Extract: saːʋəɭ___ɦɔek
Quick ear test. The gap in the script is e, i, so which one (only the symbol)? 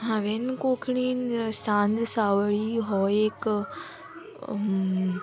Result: i